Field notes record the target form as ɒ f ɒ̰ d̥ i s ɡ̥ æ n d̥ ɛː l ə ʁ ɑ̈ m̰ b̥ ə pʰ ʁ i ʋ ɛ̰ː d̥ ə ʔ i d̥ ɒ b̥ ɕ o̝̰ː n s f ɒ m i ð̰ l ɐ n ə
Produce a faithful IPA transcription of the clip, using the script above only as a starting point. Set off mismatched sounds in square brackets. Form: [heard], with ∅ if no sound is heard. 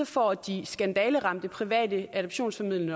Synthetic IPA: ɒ f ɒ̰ d̥ i s ɡ̥ æ n d̥ ɛː l ə ʁ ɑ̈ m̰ [d̥] ə pʰ ʁ i ʋ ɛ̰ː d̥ ə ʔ [æ] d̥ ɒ b̥ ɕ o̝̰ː n s f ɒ m i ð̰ l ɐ n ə